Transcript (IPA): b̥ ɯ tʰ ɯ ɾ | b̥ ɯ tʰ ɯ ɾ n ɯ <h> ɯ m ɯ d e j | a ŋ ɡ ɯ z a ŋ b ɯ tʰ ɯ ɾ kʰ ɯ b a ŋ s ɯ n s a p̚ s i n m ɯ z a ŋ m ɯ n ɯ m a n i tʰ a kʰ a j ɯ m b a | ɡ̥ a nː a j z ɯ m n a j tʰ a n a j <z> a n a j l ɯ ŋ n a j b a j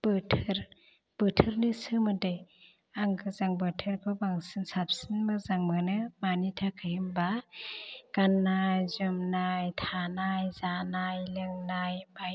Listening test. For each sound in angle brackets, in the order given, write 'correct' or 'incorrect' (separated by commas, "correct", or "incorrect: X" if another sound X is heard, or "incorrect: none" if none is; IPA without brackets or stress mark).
incorrect: s, correct